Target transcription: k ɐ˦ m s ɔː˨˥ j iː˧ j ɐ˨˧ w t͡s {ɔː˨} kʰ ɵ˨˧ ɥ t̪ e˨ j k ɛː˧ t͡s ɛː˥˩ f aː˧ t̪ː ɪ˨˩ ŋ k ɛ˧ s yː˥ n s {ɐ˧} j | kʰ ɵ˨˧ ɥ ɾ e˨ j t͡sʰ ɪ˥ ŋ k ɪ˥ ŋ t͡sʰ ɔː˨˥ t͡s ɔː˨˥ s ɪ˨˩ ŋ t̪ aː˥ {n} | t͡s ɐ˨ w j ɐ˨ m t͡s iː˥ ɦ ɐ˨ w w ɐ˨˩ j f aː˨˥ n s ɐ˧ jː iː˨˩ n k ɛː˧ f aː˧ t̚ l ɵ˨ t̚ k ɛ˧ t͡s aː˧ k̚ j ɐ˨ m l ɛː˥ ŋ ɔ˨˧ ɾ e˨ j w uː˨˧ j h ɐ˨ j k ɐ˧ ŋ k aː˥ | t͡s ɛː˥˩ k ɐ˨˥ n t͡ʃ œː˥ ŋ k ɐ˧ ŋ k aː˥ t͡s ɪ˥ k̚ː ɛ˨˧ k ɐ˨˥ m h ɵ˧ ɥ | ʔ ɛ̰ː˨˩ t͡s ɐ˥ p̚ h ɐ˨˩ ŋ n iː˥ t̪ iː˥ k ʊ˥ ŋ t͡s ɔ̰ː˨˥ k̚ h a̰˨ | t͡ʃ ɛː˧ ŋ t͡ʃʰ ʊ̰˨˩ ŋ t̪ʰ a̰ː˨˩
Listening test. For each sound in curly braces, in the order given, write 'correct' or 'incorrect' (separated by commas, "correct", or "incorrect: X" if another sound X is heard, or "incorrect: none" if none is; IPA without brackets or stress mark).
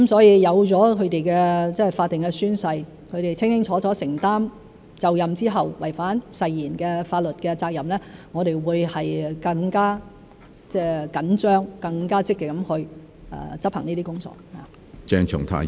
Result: incorrect: ɔː˨˥, correct, incorrect: m